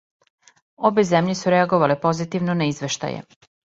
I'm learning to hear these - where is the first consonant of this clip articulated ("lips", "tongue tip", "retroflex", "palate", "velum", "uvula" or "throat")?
lips